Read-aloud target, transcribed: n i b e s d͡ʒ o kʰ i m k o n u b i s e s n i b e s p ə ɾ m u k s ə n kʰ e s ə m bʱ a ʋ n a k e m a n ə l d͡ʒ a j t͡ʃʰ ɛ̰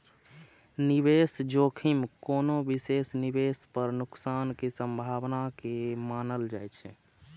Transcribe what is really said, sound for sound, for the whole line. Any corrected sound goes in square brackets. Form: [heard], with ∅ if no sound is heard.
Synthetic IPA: n i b e s d͡ʒ o kʰ i m k o n [o] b i s e s n i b e s p ə ɾ [n] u k s [a] n [k] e s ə m bʱ a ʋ n a k e m a n ə l d͡ʒ a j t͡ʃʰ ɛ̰